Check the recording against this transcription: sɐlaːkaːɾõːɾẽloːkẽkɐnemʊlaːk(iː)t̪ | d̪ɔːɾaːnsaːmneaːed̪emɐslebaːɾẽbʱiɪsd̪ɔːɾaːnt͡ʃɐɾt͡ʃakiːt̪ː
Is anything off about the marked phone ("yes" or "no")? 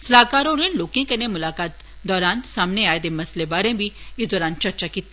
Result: yes